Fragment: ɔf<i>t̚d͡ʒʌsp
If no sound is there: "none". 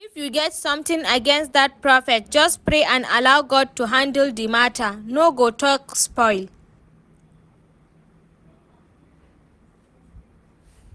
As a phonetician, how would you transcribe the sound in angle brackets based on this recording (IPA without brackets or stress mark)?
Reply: ɛ